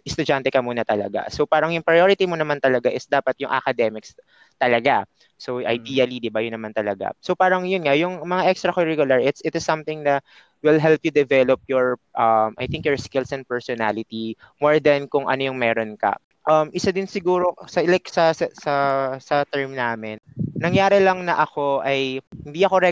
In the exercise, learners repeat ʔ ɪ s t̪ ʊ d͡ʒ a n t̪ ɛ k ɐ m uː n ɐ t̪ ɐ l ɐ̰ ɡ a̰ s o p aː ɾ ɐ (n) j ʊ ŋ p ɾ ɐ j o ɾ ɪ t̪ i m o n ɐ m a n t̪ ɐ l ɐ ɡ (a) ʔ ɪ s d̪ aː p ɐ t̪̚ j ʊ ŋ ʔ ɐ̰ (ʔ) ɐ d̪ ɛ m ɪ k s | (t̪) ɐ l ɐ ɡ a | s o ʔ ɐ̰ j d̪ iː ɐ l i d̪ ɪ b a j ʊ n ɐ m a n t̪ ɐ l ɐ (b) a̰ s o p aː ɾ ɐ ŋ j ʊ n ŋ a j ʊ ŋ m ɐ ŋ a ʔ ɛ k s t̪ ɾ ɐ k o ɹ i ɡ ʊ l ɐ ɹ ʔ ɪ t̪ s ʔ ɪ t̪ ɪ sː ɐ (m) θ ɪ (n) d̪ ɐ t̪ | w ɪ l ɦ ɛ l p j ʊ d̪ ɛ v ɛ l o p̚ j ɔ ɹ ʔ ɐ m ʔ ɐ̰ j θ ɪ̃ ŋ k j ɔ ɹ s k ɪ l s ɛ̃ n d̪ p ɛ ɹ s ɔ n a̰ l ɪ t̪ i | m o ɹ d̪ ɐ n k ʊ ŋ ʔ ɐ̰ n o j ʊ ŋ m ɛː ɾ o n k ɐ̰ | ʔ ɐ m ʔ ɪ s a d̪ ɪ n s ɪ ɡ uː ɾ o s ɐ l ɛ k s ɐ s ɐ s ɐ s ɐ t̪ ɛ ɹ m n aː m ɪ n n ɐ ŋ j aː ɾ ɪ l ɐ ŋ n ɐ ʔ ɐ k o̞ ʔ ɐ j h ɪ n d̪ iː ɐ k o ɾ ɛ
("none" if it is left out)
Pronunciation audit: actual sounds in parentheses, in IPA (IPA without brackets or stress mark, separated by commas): ŋ, a, k, t̪, ɡ, m, ŋ